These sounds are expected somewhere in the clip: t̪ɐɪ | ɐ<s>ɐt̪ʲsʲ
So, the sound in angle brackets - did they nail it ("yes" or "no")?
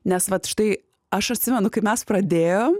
no